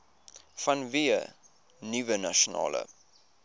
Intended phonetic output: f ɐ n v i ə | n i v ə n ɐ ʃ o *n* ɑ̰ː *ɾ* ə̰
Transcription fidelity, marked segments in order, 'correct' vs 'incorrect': correct, incorrect

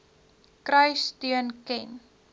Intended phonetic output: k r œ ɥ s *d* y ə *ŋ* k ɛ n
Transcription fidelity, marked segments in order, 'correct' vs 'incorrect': incorrect, incorrect

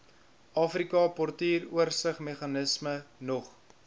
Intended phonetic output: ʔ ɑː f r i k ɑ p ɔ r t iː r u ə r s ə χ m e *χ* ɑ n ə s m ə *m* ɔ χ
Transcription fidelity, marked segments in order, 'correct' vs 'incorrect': correct, incorrect

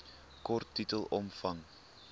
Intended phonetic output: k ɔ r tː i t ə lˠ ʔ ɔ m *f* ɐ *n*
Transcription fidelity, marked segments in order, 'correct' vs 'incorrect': correct, incorrect

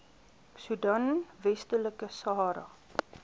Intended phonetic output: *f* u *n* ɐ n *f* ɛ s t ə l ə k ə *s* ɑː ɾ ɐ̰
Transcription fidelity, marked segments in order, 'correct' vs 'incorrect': incorrect, incorrect, incorrect, correct

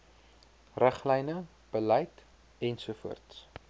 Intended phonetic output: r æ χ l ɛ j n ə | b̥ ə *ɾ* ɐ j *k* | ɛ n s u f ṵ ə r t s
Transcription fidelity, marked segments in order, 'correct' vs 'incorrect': incorrect, incorrect

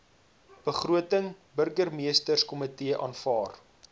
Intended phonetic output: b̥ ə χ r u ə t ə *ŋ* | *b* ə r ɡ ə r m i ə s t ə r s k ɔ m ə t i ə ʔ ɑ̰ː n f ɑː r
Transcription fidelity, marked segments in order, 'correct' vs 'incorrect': correct, correct

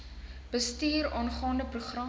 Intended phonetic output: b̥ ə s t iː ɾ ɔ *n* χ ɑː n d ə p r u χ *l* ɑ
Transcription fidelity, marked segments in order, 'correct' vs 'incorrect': correct, incorrect

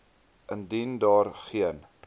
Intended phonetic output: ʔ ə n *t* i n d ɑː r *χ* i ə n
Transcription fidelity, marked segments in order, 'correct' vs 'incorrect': incorrect, correct

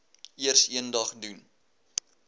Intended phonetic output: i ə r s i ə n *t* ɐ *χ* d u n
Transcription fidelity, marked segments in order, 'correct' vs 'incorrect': incorrect, correct

